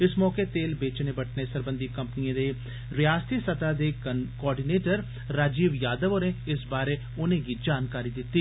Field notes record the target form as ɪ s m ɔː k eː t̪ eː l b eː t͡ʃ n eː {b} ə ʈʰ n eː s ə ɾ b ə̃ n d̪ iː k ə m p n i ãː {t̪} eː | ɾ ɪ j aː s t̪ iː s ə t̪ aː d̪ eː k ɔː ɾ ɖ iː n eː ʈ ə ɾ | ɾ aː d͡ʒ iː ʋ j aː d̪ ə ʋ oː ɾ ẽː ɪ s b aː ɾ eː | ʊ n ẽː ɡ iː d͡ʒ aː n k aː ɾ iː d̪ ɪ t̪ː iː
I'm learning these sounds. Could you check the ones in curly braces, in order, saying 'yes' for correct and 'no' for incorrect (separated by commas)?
yes, no